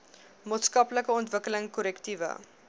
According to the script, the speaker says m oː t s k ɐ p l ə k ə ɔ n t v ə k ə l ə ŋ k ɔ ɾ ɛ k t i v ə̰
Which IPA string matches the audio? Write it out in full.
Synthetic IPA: m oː t s k ɐ p l ə k ə ɔ n t v ə k ə l ə ŋ k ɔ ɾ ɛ k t i v ə̰